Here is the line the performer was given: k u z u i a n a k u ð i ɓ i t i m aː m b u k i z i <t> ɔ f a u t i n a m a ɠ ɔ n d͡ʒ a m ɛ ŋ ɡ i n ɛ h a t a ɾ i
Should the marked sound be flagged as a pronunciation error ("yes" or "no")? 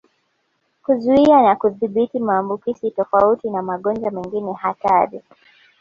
no